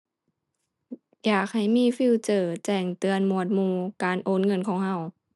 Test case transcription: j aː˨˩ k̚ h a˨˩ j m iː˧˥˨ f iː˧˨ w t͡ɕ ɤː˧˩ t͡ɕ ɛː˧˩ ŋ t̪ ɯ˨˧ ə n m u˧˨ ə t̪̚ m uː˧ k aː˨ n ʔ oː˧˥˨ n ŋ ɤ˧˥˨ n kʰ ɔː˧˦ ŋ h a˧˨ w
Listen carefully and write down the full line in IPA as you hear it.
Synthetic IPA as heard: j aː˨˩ k̚ h a˨˩ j m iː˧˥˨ f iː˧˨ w t͡ɕ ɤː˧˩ t͡ɕ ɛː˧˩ ŋ t̪ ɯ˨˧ ə n m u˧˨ ə t̪̚ m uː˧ k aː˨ n ʔ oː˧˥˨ n ŋ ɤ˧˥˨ n kʰ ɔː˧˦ ŋ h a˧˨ w

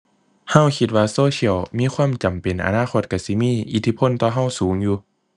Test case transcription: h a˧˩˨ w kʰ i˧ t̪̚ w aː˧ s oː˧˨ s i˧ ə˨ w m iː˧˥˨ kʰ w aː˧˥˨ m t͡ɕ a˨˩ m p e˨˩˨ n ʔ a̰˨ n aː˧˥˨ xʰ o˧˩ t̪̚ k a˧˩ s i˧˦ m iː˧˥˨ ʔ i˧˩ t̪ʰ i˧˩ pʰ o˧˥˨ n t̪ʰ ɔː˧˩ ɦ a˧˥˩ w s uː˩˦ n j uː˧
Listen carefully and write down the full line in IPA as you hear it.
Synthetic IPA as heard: h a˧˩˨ w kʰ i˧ t̪̚ w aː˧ s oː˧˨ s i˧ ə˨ w m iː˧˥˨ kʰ w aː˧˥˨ m t͡ɕ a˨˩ m p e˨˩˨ n ʔ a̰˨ n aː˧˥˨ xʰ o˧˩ t̪̚ k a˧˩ s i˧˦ m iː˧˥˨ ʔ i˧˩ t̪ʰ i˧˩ pʰ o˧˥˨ n t̪ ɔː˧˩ ɦ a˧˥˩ w s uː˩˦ ŋ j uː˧

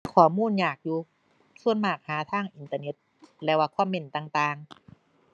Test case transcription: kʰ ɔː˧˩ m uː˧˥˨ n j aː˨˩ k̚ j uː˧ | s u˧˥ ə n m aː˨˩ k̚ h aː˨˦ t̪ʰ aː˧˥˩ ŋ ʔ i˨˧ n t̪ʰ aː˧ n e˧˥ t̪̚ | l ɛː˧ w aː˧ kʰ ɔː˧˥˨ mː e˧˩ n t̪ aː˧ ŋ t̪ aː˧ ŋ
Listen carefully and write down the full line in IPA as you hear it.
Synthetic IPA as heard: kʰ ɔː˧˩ m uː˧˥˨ n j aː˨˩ k̚ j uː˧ | s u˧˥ ə n m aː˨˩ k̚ h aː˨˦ t̪ʰ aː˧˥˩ ŋ ʔ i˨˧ n t̪ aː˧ n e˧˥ t̪̚ | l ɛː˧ w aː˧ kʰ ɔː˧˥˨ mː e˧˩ n t̪ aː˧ ŋ t̪ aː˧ ŋ

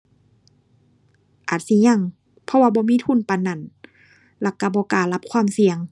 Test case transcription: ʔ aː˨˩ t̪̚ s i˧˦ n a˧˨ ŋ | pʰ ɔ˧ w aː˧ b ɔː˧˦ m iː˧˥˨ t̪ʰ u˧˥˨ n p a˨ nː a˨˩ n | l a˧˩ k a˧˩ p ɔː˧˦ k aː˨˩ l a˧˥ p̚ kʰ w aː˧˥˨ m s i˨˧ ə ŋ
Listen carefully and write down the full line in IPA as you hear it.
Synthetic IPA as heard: ʔ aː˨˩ t̪̚ s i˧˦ ɲ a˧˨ ŋ | pʰ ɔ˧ w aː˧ b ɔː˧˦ m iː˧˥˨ t̪ʰ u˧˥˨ n p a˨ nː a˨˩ n | l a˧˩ k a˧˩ b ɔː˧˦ k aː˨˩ l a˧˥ p̚ kʰ w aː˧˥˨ m s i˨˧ ə ŋ

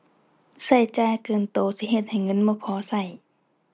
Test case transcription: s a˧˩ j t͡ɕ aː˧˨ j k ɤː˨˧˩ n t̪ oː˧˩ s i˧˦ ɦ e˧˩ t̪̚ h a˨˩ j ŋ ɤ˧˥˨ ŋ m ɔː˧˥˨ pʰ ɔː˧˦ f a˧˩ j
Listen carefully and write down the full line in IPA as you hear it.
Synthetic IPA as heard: s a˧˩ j t͡ɕ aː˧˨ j k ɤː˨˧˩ n t̪ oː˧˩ s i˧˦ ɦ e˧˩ t̪̚ h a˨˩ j ŋ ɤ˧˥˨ n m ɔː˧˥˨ pʰ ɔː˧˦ s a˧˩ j

